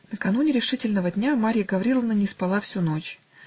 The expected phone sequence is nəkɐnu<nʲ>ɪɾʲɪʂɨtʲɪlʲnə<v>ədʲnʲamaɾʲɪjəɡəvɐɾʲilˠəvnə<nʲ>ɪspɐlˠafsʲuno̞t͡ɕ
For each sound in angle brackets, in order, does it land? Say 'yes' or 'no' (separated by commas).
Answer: yes, yes, yes